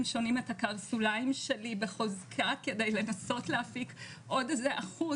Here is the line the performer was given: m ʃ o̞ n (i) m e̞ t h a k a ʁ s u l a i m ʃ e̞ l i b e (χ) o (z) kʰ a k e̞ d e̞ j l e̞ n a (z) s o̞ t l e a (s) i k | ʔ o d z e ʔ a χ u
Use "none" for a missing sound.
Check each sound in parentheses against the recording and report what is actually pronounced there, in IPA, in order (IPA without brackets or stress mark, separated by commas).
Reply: i, χ, z, none, f